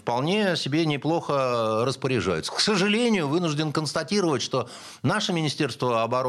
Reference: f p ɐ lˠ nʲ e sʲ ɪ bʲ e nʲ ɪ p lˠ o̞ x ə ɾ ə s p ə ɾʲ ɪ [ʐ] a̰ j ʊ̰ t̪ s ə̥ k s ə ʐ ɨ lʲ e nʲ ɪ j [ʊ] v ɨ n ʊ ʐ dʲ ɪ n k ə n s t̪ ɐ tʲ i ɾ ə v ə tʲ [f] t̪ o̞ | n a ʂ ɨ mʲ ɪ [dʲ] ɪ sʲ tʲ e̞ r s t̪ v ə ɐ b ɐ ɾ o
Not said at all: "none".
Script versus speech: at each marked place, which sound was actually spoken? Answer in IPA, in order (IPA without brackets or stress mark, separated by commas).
ʐ, ʊ, ʂ, nʲ